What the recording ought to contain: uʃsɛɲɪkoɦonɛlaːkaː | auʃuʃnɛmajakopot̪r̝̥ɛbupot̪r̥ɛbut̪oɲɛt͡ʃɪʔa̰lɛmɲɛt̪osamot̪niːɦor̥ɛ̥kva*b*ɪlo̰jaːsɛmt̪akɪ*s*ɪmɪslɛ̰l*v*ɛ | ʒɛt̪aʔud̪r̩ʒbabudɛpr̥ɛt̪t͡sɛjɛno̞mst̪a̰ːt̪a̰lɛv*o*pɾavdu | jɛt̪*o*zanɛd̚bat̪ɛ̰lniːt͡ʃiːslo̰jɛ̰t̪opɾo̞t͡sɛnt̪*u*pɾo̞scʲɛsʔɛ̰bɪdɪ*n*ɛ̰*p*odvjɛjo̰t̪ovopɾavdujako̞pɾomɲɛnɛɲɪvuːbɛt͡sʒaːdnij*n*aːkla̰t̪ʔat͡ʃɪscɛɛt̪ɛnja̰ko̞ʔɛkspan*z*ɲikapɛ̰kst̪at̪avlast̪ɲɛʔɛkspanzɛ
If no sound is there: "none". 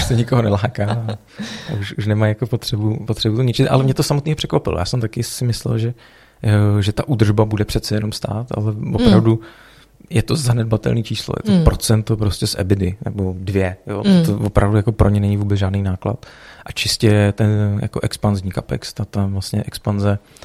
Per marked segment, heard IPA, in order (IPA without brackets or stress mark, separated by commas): p, s, ʒ, o, o, o, n, b, n, z